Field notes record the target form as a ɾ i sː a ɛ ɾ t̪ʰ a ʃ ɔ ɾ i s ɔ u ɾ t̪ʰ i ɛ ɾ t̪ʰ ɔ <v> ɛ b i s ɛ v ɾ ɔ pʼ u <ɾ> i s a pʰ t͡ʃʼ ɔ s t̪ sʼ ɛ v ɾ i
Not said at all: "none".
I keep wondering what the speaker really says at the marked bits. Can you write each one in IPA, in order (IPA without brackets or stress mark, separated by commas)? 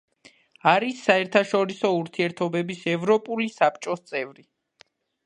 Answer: b, l